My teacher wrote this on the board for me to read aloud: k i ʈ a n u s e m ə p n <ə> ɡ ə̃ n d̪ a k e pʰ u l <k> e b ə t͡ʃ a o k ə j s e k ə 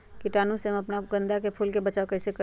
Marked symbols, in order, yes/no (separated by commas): no, yes